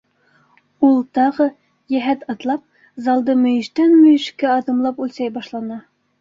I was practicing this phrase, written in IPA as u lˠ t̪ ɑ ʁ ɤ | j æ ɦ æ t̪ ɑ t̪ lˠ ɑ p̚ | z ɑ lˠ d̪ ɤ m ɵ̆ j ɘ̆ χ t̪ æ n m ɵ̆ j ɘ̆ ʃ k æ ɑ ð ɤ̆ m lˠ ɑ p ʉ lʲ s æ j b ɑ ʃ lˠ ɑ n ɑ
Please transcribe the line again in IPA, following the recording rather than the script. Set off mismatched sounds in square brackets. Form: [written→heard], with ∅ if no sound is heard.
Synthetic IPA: u lˠ t̪ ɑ ʁ ɤ | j æ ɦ æ t̪ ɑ t̪ lˠ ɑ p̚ | z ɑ lˠ d̪ ɤ m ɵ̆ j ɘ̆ [χ→ʃ] t̪ æ n m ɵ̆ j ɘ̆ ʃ k æ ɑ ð ɤ̆ m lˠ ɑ p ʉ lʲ s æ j b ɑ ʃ lˠ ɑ n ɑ